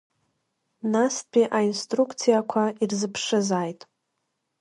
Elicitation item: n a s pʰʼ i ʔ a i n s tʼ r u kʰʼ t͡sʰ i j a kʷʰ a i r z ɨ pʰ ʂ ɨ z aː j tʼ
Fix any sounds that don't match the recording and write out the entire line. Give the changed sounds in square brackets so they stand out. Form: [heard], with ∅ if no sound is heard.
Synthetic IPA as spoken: n a s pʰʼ i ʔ a i n s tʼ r u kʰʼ t͡sʰ i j a kʷʰ a i r z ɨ pʰ ʂ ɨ z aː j tʼ